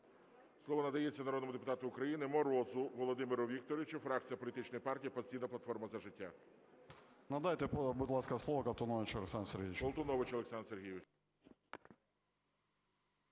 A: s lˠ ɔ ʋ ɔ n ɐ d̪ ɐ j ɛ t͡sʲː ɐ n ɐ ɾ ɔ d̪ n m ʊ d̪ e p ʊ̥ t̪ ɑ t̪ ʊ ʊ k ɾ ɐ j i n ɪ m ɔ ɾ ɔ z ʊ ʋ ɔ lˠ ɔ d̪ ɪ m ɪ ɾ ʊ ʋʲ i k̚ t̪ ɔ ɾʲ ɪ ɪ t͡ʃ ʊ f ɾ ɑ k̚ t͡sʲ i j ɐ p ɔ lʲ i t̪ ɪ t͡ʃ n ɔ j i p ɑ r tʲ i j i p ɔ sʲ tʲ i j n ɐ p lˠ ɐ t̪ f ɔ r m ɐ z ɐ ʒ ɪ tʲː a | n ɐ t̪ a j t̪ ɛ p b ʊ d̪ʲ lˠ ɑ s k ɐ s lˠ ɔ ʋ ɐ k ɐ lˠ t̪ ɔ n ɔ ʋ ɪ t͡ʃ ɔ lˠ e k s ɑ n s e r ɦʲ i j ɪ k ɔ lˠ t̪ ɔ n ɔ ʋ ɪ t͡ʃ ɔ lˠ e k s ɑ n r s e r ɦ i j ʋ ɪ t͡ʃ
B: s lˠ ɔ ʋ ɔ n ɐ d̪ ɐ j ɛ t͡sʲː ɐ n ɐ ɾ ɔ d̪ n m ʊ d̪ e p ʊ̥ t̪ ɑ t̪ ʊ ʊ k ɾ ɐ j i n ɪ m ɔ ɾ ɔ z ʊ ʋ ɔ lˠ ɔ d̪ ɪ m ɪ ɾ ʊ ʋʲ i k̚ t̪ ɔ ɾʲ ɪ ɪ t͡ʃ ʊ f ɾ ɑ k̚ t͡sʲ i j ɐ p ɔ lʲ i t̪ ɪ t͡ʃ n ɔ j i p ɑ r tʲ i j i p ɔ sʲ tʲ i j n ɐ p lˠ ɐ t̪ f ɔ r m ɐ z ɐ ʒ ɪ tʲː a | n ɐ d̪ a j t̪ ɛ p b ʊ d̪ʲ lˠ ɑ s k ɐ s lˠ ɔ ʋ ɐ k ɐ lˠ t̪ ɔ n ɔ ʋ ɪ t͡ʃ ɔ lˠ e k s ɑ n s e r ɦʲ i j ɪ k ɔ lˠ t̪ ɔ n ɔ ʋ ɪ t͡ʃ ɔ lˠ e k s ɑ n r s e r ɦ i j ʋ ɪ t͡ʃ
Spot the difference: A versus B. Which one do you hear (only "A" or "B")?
B